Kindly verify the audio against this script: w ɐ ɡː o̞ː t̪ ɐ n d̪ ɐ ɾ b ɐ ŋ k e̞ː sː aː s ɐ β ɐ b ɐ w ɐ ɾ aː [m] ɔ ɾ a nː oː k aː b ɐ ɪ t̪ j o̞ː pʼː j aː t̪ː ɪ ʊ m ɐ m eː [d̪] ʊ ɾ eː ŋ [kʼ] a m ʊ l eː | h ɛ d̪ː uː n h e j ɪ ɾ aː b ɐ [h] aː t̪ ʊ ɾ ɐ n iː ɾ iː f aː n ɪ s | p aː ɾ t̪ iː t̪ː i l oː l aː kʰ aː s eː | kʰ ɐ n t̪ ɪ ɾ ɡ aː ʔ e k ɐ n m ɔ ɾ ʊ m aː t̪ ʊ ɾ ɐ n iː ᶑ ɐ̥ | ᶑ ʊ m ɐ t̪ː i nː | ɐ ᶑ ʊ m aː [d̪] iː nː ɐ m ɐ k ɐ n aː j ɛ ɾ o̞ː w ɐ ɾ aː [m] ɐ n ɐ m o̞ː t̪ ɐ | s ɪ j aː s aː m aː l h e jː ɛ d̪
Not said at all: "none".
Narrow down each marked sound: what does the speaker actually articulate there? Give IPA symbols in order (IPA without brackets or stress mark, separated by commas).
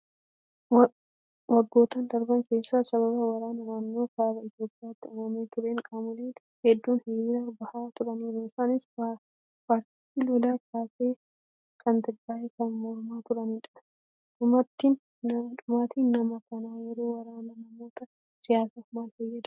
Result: n, t̪, kʼ, h, t̪, n